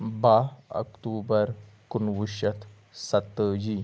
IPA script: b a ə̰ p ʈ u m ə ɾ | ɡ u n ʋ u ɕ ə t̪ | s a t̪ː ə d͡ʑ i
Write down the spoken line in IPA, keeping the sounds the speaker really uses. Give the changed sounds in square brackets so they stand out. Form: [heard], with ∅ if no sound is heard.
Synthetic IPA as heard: b a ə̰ [k] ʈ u [b] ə ɾ | [k] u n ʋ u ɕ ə t̪ | s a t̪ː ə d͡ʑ i

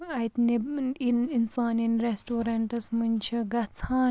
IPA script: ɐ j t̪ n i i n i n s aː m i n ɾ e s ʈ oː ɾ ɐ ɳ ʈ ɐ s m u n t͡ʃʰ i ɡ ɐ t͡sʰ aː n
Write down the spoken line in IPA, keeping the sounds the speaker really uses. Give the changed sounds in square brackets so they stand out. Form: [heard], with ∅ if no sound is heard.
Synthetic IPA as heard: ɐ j t̪ n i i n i n s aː [n] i n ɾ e s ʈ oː ɾ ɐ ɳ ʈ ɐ s m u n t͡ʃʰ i ɡ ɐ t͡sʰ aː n

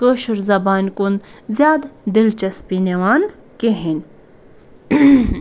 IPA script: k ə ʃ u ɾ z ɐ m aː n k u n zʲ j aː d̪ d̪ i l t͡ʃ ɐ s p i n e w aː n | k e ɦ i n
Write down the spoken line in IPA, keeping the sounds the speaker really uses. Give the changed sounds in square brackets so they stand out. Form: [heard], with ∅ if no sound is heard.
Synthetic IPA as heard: k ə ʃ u ɾ z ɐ [b] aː n k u n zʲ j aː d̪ d̪ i l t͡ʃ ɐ s p i n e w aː n | k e ɦ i n

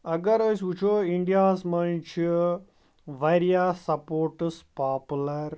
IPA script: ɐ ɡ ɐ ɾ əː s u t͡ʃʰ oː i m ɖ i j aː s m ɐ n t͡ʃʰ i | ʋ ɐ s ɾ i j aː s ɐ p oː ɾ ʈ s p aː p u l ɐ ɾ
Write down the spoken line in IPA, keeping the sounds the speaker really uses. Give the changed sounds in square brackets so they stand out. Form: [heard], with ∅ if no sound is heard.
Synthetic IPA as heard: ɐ ɡ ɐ ɾ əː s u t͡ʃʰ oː i [ɳ] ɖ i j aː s m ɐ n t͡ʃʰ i | ʋ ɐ [∅] ɾ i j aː s ɐ p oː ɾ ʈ s p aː p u l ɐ ɾ

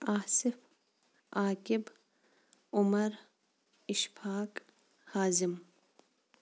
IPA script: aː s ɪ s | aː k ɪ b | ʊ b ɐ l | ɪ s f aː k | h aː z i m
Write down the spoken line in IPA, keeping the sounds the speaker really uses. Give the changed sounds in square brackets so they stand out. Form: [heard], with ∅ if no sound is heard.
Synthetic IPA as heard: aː s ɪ [f] | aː k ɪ b | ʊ [m] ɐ [ɾ] | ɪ [ʃ] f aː k | h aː z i m

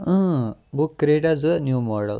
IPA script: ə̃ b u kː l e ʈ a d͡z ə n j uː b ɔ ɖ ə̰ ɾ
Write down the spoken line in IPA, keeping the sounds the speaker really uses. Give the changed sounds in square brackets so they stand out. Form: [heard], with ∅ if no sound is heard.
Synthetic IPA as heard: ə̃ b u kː [ɾ] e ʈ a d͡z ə n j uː [m] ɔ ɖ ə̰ [l]

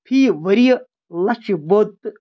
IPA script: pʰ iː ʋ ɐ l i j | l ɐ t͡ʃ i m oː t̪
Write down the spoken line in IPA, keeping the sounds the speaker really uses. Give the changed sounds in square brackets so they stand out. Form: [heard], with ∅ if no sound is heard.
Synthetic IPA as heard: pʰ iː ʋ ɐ [ɾ] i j | l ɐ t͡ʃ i [b] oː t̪

